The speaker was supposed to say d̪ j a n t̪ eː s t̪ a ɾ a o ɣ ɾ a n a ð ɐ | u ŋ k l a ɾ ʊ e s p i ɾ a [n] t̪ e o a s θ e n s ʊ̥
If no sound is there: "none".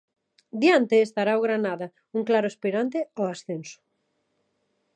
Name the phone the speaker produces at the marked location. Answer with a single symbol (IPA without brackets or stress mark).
n